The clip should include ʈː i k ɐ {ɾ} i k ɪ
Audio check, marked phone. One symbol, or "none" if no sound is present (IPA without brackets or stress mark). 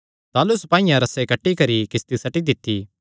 ɾ